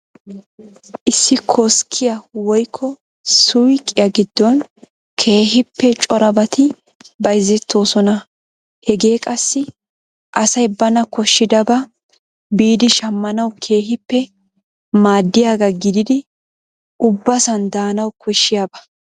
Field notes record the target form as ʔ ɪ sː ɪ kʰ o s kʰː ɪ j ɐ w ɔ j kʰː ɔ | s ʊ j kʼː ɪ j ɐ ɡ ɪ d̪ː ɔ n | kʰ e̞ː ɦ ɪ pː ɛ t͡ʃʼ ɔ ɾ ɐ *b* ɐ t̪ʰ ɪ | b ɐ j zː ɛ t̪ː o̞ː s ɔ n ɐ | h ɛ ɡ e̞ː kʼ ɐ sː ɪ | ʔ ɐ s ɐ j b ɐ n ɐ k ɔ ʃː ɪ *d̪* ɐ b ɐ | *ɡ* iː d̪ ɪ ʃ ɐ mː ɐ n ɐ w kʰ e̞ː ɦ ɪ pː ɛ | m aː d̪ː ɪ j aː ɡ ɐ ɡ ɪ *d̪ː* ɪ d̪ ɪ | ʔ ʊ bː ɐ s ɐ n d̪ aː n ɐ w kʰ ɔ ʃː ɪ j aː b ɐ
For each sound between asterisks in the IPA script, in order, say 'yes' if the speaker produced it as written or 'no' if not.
yes, yes, no, no

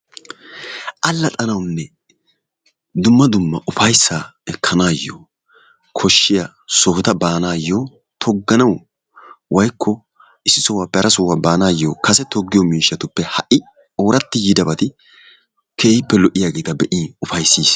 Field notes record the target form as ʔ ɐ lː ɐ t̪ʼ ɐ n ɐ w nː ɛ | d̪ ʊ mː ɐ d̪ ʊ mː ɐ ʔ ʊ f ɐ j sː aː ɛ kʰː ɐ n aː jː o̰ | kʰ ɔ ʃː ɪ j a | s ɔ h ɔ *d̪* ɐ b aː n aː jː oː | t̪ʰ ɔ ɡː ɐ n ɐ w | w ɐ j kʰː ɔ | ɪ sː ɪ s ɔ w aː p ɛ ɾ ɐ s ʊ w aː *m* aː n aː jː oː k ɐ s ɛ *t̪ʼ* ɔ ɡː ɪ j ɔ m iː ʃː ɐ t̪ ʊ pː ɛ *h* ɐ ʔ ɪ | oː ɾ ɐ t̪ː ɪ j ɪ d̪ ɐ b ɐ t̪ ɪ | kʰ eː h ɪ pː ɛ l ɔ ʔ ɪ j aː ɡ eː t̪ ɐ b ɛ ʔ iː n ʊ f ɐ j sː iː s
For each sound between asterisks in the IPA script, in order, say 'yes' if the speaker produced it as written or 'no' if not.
no, no, no, yes

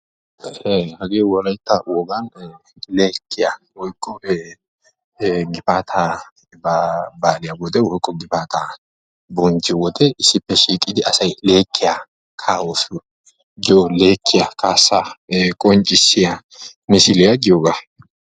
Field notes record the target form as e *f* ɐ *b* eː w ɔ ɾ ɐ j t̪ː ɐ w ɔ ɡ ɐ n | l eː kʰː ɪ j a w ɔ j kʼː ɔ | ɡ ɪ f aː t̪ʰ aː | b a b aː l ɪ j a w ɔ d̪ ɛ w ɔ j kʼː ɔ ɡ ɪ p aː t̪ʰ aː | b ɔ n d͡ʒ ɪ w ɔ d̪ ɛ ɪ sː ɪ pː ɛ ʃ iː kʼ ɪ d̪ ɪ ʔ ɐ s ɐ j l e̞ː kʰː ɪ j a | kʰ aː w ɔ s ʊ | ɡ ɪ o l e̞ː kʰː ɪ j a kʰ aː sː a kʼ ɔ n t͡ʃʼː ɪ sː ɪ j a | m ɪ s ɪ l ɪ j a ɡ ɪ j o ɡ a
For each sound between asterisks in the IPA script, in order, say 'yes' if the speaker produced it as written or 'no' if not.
no, no

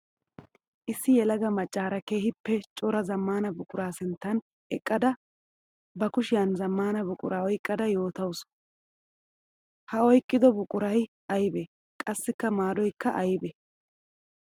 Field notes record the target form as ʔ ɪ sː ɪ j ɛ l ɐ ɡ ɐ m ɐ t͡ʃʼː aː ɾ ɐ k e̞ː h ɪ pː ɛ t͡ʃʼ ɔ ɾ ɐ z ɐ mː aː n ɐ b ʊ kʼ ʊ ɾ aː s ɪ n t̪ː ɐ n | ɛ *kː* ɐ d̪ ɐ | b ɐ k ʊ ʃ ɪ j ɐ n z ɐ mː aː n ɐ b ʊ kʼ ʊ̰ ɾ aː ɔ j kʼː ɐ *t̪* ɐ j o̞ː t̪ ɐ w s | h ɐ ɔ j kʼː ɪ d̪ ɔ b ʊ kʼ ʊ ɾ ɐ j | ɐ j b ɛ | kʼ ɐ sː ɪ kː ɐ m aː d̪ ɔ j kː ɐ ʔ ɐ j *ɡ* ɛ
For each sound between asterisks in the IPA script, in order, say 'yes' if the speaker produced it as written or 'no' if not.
no, no, no

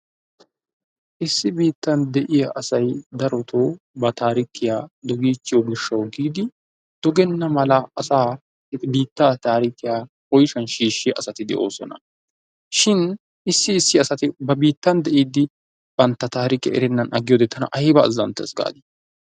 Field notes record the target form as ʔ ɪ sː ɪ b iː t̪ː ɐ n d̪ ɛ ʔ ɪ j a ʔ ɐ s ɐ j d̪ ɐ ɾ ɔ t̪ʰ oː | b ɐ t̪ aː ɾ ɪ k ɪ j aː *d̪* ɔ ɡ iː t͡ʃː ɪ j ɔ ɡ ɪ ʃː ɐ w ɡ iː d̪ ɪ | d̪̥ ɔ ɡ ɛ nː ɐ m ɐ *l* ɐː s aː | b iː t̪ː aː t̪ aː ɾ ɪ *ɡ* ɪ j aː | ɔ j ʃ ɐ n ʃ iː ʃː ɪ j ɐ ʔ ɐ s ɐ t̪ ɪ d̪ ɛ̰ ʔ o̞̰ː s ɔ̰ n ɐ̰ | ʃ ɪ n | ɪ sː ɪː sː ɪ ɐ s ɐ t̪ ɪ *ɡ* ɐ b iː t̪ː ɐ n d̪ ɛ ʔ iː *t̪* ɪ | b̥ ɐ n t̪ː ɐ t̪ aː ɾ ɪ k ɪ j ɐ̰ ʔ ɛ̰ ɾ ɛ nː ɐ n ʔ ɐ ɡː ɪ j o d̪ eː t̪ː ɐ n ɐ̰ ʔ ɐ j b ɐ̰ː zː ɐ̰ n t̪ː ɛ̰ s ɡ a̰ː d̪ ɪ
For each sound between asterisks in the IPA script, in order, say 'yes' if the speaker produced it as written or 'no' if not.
yes, yes, no, no, no

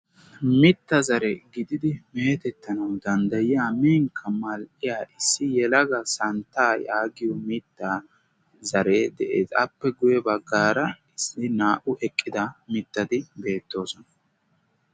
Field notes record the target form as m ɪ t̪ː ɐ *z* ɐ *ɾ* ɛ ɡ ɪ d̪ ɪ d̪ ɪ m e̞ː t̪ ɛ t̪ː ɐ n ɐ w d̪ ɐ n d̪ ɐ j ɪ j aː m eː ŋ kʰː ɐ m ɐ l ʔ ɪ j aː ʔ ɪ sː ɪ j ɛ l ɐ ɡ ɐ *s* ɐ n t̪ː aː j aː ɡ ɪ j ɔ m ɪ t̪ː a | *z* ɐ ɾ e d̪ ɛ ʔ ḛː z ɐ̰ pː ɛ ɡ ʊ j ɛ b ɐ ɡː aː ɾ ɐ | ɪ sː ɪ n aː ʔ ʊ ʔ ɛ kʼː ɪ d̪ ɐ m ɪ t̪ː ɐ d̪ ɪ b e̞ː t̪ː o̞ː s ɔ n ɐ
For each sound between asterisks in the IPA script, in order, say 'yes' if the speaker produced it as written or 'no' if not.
yes, yes, yes, yes

